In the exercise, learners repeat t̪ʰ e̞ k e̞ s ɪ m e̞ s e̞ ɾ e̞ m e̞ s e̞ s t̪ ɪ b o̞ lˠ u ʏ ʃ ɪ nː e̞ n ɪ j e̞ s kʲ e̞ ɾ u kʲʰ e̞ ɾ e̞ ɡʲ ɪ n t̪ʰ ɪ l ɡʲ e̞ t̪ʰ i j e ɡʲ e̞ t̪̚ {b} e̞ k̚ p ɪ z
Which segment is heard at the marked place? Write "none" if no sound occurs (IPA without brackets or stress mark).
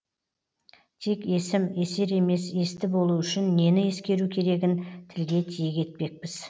p